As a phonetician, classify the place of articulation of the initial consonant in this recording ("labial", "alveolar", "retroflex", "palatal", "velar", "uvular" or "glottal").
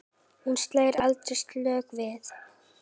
glottal